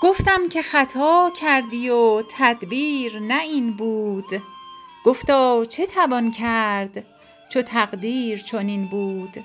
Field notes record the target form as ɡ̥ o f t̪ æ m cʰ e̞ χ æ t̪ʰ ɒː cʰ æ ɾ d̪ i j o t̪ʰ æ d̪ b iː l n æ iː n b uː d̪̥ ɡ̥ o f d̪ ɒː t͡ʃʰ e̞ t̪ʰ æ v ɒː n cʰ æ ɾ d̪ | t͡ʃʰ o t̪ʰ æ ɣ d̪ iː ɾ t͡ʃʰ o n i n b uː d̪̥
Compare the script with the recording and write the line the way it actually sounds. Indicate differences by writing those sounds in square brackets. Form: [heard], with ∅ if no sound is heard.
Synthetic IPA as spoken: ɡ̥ o f t̪ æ m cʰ e̞ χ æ t̪ʰ ɒː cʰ æ ɾ d̪ i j o t̪ʰ æ d̪ b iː [ɾ] n æ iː n b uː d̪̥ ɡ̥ o f [t̪] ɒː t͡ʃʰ e̞ t̪ʰ æ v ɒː n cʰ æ ɾ d̪ | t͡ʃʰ o t̪ʰ æ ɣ d̪ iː ɾ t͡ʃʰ o n i n b uː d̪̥